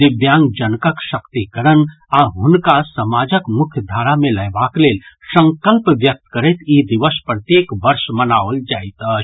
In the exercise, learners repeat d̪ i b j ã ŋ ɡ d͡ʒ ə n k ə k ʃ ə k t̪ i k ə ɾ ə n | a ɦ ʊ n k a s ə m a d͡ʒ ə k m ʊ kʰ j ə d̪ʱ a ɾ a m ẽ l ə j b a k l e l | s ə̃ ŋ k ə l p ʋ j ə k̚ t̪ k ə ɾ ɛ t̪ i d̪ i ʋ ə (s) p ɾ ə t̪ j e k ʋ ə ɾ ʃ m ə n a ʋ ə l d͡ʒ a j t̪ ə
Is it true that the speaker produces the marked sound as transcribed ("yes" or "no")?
yes